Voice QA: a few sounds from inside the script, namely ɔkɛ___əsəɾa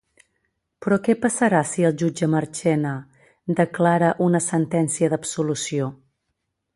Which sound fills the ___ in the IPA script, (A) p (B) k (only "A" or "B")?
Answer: A